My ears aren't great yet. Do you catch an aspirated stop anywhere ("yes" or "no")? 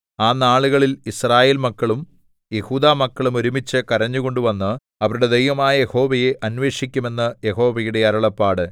no